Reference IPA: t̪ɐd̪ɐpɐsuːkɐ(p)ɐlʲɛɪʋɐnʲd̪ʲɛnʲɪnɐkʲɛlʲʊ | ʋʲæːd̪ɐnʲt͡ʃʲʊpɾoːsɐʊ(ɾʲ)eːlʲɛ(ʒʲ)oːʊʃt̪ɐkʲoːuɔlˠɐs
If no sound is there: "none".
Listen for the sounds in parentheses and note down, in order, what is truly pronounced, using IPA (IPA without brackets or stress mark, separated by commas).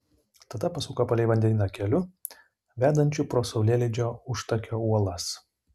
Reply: p, lʲ, d͡ʒʲ